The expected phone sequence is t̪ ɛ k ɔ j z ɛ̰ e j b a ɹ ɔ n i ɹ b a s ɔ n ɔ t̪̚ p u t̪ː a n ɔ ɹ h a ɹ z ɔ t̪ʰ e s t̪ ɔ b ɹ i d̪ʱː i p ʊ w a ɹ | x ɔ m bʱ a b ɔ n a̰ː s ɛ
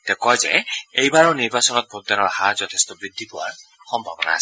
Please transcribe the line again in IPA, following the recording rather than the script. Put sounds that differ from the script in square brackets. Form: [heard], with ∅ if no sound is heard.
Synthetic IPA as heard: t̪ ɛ k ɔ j z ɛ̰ e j b a ɹ ɔ n i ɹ b a s ɔ n ɔ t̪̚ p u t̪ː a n ɔ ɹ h a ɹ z ɔ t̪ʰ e s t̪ ɔ b ɹ i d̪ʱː i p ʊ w a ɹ | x ɔ m bʱ a b ɔ n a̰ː s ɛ